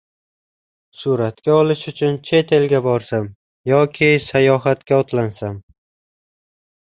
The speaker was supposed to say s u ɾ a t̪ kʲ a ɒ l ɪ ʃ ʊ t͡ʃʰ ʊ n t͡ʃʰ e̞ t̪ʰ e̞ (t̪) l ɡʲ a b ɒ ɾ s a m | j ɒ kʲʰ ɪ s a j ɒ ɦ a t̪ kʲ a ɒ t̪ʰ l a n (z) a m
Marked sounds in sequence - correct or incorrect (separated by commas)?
incorrect, incorrect